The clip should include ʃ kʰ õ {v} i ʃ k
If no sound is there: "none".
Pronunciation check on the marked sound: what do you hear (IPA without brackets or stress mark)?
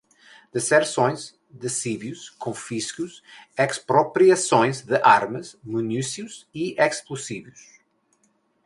f